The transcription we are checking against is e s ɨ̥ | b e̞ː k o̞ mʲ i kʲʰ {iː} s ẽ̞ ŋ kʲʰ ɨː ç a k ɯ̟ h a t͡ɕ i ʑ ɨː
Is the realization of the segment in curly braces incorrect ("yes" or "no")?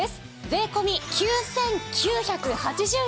yes